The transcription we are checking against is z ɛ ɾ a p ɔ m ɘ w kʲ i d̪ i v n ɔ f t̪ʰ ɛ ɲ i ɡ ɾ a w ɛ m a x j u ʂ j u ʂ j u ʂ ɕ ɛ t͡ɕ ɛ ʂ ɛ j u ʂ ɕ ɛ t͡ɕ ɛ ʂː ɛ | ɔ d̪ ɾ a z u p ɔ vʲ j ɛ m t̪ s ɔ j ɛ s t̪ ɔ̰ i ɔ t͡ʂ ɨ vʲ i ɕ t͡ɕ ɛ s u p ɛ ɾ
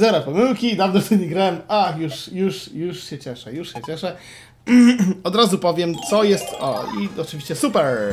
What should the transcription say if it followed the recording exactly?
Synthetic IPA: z ɛ ɾ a p ɔ m ɘ w kʲ i d̪ a v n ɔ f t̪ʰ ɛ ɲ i ɡ ɾ a w ɛ m a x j u ʂ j u ʂ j u ʂ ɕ ɛ t͡ɕ ɛ ʂ ɛ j u ʂ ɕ ɛ t͡ɕ ɛ ʂ ɛ | ɔ d̪ ɾ a z u p ɔ vʲ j ɛ m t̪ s ɔ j ɛ s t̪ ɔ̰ i ɔ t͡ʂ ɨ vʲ i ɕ t͡ɕ ɛ s u p ɛ ɾ